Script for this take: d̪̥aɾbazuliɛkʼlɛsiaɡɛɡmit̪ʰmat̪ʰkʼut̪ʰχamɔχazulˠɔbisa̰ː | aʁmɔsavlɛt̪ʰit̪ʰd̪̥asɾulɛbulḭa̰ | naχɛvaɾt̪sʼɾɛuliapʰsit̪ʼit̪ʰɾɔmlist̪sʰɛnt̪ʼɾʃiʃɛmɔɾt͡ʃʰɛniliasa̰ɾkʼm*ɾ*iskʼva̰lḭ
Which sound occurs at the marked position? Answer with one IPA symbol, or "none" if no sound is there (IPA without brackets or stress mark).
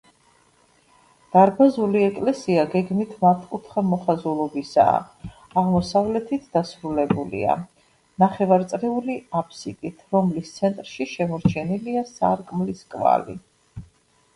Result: l